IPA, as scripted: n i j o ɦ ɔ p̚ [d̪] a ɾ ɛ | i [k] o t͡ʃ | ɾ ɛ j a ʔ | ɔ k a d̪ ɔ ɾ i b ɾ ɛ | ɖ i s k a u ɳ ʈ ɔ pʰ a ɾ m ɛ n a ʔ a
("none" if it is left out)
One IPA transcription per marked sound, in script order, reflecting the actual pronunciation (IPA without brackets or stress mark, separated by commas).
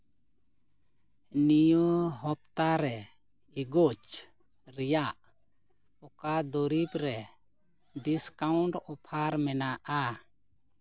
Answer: t̪, ɡ